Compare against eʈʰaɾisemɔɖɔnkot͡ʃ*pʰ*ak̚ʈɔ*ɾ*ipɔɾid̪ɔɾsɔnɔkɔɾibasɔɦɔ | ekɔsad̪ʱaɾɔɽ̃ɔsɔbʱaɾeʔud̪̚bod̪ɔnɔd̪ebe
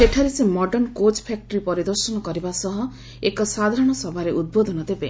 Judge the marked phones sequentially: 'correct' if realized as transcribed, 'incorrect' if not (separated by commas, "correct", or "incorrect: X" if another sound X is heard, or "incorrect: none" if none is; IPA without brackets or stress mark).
correct, correct